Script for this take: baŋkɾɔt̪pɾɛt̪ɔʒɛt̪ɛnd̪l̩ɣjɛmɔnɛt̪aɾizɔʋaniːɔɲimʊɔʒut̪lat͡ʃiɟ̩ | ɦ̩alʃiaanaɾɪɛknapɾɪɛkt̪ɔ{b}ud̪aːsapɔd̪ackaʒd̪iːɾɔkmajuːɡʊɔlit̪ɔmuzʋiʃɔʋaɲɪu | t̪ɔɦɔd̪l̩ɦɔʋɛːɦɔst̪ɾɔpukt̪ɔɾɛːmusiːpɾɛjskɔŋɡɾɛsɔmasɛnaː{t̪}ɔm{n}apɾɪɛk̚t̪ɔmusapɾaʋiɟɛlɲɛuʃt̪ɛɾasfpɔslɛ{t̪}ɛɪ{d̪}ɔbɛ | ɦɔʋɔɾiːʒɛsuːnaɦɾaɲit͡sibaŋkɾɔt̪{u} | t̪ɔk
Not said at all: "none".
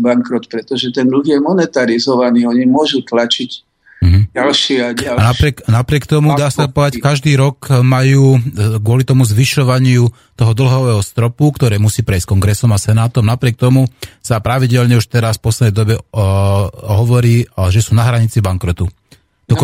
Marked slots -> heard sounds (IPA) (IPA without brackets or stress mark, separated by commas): m, t̪, n, d̪, d̪, u